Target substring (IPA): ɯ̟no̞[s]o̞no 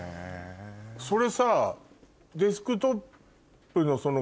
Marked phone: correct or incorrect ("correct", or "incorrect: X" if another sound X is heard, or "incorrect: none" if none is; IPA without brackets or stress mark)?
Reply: correct